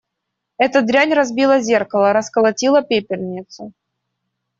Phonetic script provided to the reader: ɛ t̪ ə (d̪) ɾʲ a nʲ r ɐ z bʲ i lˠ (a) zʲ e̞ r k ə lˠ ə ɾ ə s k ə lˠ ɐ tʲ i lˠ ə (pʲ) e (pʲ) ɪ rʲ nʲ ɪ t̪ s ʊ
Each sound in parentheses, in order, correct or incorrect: correct, incorrect: ə, correct, correct

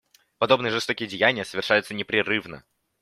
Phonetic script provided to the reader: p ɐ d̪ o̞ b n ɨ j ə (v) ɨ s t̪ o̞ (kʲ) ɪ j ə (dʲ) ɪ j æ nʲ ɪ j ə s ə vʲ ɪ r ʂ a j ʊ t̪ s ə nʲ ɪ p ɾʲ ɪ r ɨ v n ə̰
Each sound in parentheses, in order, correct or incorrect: incorrect: ʐ, correct, correct

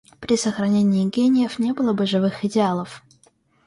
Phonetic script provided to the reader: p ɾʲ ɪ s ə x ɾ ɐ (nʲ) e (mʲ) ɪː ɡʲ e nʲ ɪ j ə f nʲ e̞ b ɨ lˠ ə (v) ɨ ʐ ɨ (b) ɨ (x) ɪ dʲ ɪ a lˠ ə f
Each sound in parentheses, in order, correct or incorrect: correct, incorrect: nʲ, incorrect: b, incorrect: v, correct

